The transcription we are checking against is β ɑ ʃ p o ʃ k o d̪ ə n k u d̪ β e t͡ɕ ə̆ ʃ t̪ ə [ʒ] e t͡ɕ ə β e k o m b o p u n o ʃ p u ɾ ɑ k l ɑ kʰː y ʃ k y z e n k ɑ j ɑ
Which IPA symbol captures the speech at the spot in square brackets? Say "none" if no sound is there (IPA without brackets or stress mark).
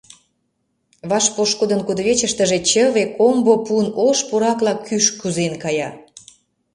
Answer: ʒ